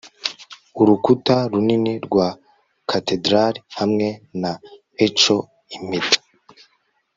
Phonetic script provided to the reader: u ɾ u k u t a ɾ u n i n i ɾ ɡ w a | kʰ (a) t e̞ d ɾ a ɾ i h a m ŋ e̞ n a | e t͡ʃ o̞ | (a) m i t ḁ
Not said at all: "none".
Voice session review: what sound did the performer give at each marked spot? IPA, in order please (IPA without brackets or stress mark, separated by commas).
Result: a, i